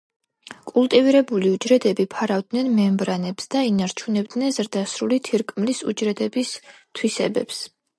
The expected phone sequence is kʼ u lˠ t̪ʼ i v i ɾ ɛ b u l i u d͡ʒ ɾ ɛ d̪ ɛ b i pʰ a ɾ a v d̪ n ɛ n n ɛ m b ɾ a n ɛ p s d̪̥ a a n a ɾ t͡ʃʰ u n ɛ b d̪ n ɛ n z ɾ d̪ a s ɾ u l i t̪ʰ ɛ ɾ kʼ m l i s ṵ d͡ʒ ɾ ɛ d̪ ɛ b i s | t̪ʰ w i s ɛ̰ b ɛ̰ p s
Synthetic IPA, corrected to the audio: kʼ u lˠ t̪ʼ i v i ɾ ɛ b u l i u d͡ʒ ɾ ɛ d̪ ɛ b i pʰ a ɾ a v d̪ n ɛ n m ɛ m b ɾ a n ɛ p s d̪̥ a i n a ɾ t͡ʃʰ u n ɛ b d̪ n ɛ n z ɾ d̪ a s ɾ u l i t̪ʰ i ɾ kʼ m l i s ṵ d͡ʒ ɾ ɛ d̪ ɛ b i s | t̪ʰ w i s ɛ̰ b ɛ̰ p s